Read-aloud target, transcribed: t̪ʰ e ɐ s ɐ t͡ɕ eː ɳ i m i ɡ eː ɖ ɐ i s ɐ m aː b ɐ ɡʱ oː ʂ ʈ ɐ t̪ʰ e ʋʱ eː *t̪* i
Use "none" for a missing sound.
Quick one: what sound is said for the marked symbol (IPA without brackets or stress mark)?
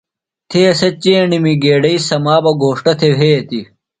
t̪